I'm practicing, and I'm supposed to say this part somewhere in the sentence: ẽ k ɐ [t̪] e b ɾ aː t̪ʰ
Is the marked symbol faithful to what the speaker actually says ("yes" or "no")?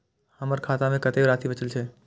yes